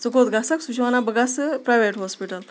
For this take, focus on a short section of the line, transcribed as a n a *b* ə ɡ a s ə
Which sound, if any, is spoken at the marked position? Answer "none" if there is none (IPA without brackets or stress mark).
b